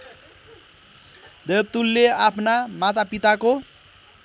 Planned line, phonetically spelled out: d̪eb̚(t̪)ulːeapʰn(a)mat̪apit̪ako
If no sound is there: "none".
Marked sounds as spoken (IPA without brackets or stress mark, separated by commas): t̪, a